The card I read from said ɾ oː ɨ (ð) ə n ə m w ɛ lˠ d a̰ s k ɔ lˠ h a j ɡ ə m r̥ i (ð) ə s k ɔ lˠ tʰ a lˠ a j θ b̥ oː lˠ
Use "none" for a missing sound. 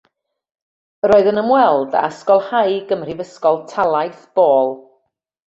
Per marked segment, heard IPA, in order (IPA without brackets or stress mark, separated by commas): ð, v